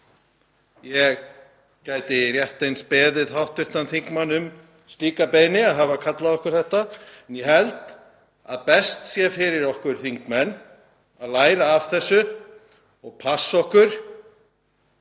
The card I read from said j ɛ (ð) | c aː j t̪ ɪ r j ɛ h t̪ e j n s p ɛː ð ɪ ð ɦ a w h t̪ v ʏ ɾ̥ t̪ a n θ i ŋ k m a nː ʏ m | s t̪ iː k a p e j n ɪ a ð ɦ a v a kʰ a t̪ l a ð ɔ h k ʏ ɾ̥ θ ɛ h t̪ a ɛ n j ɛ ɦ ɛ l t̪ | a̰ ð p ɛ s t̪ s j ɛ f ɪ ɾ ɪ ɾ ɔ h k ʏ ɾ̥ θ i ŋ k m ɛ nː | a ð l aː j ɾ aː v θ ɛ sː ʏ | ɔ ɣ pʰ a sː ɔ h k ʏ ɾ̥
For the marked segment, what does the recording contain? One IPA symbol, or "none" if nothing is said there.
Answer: ɣ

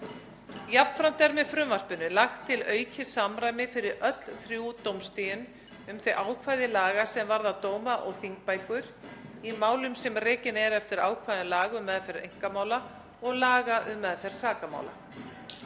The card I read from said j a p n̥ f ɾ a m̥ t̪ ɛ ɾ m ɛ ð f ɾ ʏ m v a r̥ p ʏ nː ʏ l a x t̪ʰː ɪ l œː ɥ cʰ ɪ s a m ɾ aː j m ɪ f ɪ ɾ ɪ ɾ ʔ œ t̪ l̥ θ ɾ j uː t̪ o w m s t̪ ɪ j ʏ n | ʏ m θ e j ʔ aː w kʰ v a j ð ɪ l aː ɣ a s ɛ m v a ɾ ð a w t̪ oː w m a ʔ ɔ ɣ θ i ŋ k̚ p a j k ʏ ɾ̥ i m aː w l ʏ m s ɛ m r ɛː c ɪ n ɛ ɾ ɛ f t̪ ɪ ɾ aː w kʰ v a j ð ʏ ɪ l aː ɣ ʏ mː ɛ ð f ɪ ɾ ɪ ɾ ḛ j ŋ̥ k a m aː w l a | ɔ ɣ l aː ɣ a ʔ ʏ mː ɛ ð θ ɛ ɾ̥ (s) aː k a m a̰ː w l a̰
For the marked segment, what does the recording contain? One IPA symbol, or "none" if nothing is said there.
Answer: s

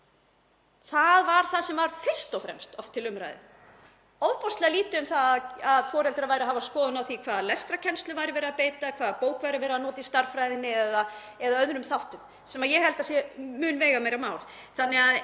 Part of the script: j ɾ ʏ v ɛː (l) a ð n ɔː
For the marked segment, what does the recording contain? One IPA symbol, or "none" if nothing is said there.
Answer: ɾ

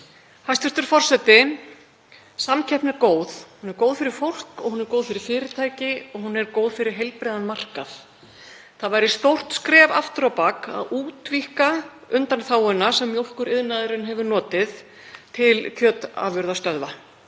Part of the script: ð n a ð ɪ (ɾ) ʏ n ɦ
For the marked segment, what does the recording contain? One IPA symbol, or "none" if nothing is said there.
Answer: ɾ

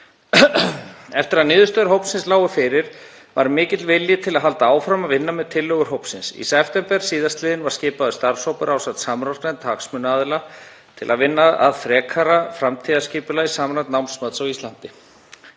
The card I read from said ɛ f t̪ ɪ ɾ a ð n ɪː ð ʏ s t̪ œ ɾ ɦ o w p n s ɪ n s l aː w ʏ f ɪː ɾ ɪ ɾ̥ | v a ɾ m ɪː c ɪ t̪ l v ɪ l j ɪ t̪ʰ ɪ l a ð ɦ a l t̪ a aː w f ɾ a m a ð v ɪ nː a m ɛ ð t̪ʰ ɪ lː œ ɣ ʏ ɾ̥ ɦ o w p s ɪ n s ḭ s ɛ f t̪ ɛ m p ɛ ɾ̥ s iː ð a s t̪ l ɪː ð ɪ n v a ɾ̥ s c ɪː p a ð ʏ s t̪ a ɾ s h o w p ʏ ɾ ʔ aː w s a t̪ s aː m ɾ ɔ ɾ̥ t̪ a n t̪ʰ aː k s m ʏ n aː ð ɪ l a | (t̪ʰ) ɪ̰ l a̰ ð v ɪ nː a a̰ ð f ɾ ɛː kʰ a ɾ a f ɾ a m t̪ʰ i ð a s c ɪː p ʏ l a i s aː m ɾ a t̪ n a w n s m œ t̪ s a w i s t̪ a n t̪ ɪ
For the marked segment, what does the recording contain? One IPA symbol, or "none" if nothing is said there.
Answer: t̪ʰ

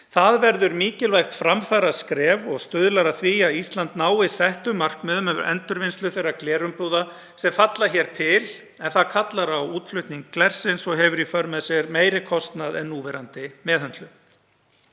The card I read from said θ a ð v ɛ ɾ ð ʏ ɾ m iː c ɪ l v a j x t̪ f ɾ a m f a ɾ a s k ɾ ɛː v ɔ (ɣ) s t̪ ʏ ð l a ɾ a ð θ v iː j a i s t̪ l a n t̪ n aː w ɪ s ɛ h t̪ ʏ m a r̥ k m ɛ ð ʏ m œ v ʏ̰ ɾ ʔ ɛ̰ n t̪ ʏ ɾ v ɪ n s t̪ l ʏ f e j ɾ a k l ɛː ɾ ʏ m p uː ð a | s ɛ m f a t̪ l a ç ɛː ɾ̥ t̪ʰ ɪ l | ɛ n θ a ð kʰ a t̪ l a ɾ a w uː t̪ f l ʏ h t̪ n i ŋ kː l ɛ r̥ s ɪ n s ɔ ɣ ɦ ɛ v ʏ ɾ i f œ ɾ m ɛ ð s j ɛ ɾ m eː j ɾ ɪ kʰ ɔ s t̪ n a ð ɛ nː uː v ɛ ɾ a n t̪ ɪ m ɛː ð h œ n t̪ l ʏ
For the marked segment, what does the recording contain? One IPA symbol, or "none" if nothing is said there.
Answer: ɣ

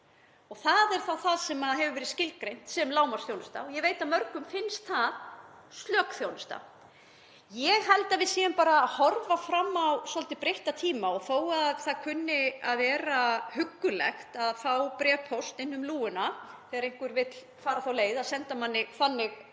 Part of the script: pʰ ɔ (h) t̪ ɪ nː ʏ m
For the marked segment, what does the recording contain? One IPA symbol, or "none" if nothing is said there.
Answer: s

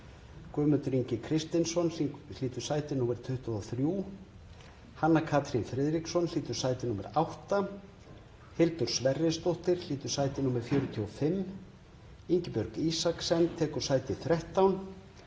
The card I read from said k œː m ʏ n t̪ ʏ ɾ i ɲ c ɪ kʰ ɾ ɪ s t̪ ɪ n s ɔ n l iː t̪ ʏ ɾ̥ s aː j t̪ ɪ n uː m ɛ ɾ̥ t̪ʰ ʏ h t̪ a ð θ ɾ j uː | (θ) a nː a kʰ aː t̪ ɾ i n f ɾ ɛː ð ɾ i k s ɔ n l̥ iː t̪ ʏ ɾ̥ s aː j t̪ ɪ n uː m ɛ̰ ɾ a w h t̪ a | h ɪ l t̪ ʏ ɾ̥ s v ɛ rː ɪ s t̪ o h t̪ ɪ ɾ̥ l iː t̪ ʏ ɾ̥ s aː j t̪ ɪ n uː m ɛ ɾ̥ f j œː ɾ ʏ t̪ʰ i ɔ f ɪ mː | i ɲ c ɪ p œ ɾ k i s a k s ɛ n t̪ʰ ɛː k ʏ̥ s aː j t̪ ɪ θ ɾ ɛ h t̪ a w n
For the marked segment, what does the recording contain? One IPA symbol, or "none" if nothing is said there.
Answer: h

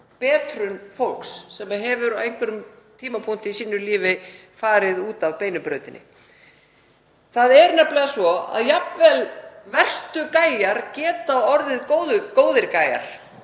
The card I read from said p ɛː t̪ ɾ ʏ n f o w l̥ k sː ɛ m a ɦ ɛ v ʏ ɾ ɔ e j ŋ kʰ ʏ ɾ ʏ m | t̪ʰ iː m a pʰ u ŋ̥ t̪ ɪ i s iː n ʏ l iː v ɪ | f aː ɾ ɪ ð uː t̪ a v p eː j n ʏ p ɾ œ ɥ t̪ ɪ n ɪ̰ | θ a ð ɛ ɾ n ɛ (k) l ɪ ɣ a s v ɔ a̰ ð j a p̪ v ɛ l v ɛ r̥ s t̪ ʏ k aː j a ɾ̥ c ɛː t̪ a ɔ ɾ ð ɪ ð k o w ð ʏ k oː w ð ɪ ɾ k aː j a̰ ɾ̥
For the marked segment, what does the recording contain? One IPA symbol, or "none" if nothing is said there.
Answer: p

